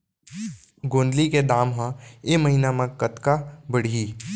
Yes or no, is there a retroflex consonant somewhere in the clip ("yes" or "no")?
yes